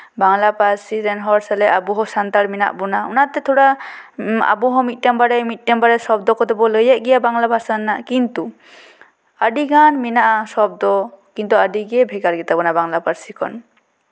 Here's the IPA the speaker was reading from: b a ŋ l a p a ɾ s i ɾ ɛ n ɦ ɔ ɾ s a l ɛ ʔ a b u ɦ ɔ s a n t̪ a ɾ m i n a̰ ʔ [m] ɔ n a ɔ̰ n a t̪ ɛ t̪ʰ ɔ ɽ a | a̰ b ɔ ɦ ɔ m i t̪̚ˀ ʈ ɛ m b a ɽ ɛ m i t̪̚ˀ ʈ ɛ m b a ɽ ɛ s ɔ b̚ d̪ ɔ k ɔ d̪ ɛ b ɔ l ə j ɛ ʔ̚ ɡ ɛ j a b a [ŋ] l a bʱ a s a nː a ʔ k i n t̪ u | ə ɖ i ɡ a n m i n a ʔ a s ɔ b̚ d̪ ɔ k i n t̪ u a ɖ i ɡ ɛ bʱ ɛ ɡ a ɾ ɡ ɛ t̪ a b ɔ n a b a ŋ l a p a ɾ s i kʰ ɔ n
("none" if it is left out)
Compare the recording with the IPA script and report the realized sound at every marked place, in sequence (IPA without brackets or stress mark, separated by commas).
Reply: b, ŋ